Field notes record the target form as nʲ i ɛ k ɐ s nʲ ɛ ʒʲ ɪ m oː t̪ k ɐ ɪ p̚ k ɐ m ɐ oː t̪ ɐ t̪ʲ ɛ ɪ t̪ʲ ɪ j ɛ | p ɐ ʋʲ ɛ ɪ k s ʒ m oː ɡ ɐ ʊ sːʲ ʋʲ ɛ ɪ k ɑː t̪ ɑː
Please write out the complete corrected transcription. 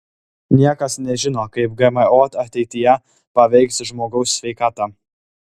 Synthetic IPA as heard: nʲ i ɛ k ɐ s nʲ ɛ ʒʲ ɪ n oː k ɐ ɪ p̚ ɡ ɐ m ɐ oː t̪ ɐ t̪ʲ ɛ ɪ t̪ʲ ɪ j ɛ | p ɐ ʋʲ ɛ ɪ k s ʒ m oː ɡ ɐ ʊ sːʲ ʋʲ ɛ ɪ k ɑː t̪ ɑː